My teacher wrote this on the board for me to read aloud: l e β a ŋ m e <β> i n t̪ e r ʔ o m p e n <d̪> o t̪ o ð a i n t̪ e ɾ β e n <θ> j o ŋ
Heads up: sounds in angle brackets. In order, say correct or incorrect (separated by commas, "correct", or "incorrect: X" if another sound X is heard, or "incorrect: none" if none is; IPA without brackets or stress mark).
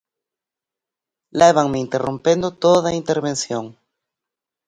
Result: incorrect: none, correct, incorrect: s